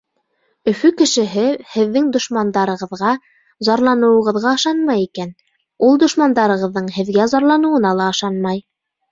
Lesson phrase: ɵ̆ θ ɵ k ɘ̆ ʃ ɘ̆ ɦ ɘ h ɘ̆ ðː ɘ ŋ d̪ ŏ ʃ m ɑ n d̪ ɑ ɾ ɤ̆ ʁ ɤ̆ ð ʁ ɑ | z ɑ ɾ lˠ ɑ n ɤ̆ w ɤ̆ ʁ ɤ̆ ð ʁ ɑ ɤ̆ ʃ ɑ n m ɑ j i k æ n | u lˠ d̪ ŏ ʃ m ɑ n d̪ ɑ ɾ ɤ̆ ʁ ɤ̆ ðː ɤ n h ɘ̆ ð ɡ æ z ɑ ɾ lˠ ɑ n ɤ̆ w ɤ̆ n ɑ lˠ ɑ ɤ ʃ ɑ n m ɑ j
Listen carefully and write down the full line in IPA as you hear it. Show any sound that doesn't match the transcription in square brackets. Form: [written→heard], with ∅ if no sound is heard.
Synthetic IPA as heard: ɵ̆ [θ→f] ɵ k ɘ̆ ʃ ɘ̆ ɦ ɘ h ɘ̆ ðː ɘ ŋ d̪ ŏ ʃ m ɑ n d̪ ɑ ɾ ɤ̆ ʁ ɤ̆ ð ʁ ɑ | z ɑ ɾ lˠ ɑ n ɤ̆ w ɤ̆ ʁ ɤ̆ ð ʁ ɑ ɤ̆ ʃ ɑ n m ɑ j i k æ n | u lˠ d̪ ŏ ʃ m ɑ n d̪ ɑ ɾ ɤ̆ ʁ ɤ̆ ðː ɤ [n→ɴ] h ɘ̆ ð ɡ æ z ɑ ɾ lˠ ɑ n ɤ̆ w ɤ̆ n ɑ lˠ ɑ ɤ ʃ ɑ n m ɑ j